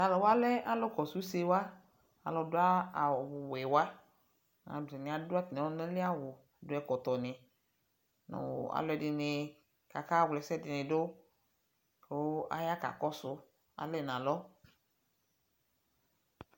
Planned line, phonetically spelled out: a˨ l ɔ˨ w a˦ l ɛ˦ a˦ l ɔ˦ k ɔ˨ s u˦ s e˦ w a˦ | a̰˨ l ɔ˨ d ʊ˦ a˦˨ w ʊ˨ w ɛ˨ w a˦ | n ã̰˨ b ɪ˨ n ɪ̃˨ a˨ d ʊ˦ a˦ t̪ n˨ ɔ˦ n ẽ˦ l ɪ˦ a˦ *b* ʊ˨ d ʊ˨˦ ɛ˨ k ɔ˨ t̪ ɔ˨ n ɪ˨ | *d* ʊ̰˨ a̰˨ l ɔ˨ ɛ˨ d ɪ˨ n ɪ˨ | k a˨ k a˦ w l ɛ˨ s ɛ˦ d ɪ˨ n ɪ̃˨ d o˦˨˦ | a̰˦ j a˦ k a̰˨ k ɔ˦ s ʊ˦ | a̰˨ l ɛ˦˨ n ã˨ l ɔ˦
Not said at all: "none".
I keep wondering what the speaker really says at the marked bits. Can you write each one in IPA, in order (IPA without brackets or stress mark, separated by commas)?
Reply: w, n